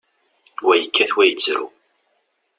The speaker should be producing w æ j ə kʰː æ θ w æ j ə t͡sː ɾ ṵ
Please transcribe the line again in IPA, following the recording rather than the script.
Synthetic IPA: w æ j ə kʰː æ θ w æ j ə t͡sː ɾ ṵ